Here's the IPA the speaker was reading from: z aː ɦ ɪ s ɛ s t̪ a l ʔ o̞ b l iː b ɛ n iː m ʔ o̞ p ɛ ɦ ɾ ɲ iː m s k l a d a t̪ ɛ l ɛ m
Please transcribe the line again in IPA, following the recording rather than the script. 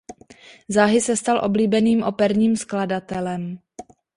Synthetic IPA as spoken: z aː ɦ ɪ s ɛ s t̪ a l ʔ o̞ b l iː b ɛ n iː m ʔ o̞ p ɛ ɾ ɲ iː m s k l a d a t̪ ɛ l ɛ m